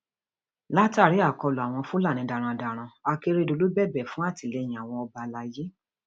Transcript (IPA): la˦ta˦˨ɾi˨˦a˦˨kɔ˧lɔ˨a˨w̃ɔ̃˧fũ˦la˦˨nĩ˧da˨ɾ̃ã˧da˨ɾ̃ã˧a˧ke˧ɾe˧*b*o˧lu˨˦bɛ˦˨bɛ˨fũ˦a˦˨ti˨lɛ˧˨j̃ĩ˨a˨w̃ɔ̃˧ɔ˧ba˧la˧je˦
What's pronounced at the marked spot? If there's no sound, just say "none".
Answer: d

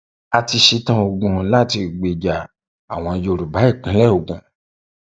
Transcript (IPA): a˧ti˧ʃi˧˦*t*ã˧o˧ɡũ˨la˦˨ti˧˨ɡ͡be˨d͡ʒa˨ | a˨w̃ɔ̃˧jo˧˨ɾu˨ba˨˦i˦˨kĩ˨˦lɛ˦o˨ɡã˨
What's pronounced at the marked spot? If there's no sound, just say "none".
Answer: t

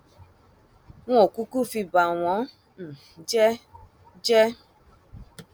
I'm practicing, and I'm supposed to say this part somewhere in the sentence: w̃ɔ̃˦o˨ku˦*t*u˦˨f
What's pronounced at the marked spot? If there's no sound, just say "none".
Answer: k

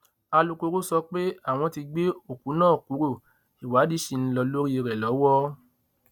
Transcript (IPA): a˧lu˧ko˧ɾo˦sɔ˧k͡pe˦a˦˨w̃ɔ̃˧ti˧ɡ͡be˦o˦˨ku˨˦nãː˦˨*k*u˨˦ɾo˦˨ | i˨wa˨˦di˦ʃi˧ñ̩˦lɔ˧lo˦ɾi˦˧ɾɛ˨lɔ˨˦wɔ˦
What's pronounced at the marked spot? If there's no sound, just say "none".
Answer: k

